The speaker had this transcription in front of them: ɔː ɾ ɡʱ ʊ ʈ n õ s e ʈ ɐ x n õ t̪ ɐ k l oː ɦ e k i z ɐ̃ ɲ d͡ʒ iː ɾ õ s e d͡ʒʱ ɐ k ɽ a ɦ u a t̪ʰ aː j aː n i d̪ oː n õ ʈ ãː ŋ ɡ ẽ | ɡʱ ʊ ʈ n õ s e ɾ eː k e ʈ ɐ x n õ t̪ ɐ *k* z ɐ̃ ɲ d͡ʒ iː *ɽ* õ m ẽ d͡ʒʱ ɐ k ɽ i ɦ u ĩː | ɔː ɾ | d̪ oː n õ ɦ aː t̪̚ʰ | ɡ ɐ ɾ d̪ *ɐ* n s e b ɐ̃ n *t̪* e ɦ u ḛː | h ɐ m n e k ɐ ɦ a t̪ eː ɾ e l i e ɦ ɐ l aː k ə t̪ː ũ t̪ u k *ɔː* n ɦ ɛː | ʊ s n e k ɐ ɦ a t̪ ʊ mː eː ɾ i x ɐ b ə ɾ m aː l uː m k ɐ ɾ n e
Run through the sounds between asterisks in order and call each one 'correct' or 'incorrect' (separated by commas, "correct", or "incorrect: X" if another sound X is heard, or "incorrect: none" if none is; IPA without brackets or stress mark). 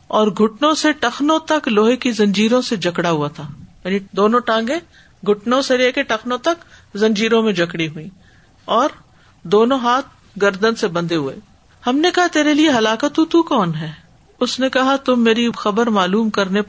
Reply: correct, incorrect: ɾ, incorrect: ə, incorrect: d̪, correct